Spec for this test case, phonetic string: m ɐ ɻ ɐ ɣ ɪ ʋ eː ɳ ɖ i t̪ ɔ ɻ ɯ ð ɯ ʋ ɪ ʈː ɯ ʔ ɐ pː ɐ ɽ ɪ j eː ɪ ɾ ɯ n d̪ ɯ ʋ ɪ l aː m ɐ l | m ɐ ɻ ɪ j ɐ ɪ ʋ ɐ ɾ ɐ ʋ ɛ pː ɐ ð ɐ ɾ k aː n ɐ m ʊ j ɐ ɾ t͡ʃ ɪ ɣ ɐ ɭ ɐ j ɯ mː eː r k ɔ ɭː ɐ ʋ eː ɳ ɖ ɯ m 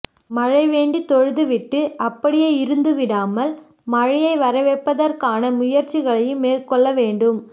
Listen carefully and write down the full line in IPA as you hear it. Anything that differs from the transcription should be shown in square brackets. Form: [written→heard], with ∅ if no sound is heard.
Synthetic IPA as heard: m ɐ ɻ ɐ [ɣ→∅] ɪ ʋ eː ɳ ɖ i t̪ ɔ ɻ ɯ ð ɯ ʋ ɪ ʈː ɯ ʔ ɐ pː ɐ ɽ ɪ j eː ɪ ɾ ɯ n d̪ ɯ ʋ ɪ [l→ɽ] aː m ɐ l | m ɐ ɻ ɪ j ɐ ɪ ʋ ɐ ɾ ɐ ʋ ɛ pː ɐ ð ɐ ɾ k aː n ɐ m ʊ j ɐ ɾ t͡ʃ ɪ ɣ ɐ ɭ ɐ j ɯ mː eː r k ɔ ɭː ɐ ʋ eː ɳ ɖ ɯ m

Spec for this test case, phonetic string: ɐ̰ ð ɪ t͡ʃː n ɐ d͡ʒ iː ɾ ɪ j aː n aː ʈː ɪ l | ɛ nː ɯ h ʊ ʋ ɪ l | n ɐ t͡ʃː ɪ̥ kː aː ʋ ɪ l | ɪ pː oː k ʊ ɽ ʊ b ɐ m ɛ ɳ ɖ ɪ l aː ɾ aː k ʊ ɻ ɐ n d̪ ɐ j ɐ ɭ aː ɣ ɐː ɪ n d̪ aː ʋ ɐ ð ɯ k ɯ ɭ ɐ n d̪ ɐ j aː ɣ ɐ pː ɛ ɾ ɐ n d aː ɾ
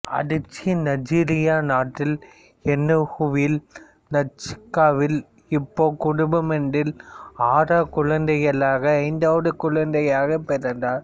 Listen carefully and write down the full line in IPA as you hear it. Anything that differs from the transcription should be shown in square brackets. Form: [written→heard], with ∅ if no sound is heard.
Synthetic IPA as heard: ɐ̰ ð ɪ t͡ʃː n ɐ d͡ʒ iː ɾ ɪ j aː n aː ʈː ɪ l | ɛ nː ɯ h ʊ ʋ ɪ l | n ɐ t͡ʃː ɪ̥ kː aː ʋ ɪ l | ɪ pː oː k ʊ ɽ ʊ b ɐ m ɛ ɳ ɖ ɪ l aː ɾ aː k ʊ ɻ ɐ n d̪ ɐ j ɐ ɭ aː ɣ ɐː ɪ n d̪ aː ʋ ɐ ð ɯ k [ɯ→ʊ] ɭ ɐ n d̪ ɐ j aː ɣ ɐ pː ɛ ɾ ɐ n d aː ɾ

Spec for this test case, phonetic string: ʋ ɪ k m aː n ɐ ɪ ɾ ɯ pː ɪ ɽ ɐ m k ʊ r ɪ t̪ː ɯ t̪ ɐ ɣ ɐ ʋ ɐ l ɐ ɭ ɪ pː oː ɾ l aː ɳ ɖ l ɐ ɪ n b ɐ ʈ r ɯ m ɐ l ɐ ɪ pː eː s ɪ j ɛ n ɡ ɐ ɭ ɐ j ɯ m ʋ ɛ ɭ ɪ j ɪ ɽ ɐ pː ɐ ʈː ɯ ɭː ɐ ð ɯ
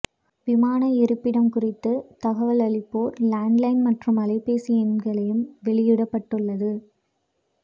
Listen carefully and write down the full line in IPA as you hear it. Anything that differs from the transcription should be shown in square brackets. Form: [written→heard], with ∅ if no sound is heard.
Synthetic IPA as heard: ʋ ɪ [k→∅] m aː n ɐ ɪ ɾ ɯ pː ɪ ɽ ɐ m k ʊ r ɪ t̪ː ɯ t̪ ɐ ɣ ɐ ʋ ɐ l ɐ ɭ ɪ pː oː ɾ l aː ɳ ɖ l ɐ ɪ n [b→m] ɐ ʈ r ɯ m ɐ l ɐ ɪ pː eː s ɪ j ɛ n ɡ ɐ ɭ ɐ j ɯ m ʋ ɛ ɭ ɪ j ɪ ɽ ɐ pː ɐ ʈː ɯ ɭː ɐ ð ɯ

